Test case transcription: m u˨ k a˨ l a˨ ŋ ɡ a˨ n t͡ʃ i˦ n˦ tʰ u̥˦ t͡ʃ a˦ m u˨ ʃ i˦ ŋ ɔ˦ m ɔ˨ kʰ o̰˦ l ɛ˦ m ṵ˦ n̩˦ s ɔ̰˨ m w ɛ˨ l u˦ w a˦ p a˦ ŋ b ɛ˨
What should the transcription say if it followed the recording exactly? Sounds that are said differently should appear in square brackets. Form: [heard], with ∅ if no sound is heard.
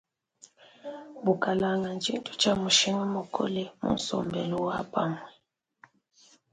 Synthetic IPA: [b] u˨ k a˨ l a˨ ŋ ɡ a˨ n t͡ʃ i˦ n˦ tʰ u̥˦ t͡ʃ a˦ m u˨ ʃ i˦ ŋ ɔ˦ m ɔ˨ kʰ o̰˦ l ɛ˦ m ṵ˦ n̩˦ s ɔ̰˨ m [b] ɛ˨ l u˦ w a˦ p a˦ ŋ [w] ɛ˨